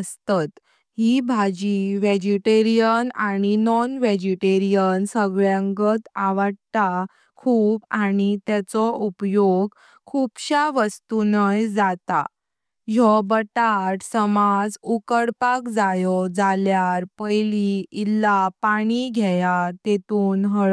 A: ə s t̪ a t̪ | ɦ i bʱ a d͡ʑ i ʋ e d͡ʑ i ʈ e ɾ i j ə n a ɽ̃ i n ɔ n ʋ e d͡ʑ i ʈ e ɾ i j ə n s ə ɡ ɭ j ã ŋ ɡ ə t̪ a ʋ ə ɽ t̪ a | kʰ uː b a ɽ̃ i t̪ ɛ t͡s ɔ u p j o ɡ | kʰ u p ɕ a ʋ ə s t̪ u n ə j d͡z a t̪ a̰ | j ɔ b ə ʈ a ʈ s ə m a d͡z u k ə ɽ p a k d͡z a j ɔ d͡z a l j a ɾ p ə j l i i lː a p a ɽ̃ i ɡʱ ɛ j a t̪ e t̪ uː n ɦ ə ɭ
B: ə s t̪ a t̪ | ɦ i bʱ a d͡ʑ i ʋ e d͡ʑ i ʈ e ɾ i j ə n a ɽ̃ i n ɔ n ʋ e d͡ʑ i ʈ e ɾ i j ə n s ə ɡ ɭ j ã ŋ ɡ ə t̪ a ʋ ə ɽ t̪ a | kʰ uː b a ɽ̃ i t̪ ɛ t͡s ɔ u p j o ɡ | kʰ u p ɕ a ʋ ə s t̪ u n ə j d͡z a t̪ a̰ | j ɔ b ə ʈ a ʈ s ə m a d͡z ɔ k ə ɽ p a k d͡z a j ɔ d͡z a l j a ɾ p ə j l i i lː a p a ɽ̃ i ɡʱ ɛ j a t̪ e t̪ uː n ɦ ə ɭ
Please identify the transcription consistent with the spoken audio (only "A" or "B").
A